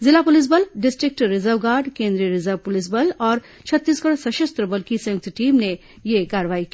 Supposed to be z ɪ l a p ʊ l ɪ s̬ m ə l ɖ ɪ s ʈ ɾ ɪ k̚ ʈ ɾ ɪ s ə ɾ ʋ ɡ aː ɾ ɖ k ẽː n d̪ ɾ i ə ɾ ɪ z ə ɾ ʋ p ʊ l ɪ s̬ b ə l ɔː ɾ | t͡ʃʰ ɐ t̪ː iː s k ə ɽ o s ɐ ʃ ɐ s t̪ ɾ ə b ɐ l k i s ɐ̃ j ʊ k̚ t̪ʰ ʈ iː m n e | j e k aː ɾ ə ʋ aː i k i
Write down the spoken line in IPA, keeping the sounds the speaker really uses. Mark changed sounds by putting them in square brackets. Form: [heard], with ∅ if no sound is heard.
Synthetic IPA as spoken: z ɪ l a p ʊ l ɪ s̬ [b] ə l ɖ ɪ s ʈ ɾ ɪ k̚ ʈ ɾ ɪ [z] ə ɾ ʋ ɡ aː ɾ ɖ k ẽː n d̪ ɾ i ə ɾ ɪ z ə ɾ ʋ p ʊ l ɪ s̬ b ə l ɔː ɾ | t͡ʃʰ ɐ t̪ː iː s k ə ɽ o s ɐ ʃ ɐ s t̪ ɾ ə b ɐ l k i s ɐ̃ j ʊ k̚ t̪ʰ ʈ iː m n e | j e k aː ɾ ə ʋ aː i k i